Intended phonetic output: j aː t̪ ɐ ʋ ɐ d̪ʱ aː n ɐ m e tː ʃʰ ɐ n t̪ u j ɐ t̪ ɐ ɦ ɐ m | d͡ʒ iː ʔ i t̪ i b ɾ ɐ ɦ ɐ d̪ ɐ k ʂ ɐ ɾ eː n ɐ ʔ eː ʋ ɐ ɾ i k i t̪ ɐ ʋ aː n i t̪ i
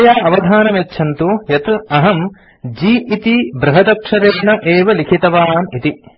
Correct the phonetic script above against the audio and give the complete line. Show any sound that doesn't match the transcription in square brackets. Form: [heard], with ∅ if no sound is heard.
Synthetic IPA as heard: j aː [∅] ɐ ʋ ɐ d̪ʱ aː n ɐ m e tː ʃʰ ɐ n t̪ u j ɐ t̪ ɐ ɦ ɐ m | d͡ʒ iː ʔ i t̪ i b ɾ ɐ ɦ ɐ d̪ ɐ k ʂ ɐ ɾ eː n ɐ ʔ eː ʋ ɐ [l] i [kʰ] i t̪ ɐ ʋ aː n i t̪ i